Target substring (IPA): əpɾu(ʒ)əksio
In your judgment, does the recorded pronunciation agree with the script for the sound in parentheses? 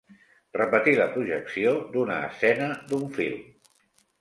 yes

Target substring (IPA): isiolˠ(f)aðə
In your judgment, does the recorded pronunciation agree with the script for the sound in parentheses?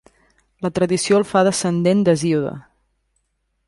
yes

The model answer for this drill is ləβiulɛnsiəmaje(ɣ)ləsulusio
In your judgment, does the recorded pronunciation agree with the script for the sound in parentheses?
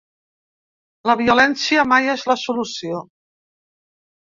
no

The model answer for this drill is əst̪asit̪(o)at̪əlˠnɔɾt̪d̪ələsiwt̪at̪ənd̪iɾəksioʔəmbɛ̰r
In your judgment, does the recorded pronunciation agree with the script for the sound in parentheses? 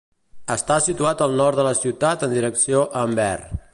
no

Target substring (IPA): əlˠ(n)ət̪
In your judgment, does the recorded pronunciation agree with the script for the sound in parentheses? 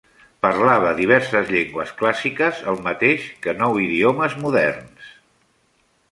no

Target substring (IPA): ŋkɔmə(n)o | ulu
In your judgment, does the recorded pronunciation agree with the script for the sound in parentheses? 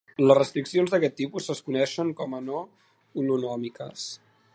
yes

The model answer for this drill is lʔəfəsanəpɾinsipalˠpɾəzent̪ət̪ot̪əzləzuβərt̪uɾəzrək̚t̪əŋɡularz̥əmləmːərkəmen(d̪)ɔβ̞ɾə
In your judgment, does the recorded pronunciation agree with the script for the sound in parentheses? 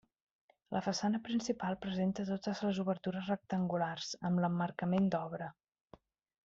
yes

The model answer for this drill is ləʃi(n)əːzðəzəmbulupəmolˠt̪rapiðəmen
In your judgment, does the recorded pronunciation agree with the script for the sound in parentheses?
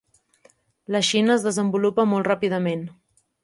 yes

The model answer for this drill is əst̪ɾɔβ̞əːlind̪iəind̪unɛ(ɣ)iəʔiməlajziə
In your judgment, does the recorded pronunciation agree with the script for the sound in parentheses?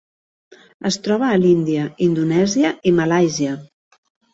no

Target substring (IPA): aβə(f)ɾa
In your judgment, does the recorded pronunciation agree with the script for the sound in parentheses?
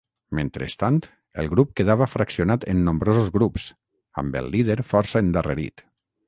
yes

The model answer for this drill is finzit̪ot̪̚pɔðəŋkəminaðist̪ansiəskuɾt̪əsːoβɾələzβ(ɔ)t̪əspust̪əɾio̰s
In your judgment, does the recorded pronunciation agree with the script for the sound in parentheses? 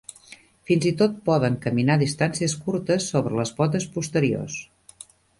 yes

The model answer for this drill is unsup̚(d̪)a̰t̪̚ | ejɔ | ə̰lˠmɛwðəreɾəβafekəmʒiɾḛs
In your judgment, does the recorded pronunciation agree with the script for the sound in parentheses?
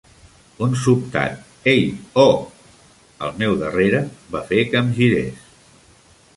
no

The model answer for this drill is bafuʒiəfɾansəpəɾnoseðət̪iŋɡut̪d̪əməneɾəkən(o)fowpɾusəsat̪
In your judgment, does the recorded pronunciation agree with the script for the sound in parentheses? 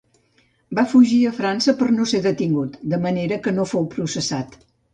yes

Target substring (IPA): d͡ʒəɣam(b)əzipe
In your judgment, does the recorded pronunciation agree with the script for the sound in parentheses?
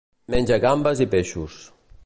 yes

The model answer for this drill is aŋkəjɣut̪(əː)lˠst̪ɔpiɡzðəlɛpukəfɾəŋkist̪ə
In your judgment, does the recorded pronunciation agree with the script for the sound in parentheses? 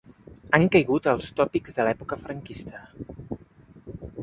no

